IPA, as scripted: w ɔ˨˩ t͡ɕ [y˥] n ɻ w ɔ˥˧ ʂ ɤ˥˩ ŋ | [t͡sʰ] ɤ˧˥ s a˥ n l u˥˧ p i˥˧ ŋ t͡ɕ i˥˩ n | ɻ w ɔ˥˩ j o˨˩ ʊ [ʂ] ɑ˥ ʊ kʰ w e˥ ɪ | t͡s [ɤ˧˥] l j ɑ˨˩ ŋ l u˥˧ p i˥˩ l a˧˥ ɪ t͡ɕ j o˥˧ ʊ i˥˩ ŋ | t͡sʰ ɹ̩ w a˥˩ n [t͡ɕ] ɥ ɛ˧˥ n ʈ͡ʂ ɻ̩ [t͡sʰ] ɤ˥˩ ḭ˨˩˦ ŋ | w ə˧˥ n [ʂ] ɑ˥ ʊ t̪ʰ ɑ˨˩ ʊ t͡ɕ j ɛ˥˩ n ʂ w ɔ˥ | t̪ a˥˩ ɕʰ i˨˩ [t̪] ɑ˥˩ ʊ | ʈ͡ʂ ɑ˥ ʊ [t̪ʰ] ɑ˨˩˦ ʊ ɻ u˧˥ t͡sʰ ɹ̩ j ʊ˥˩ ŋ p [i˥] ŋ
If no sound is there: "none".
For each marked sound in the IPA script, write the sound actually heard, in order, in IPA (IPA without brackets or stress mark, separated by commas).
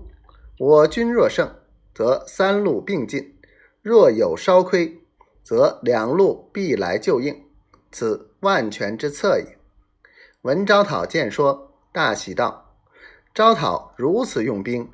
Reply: y˥, t͡s, ʂ, ɤ˧˥, t͡ɕʰ, t͡sʰ, ʈ͡ʂ, t̪, t̪ʰ, i˥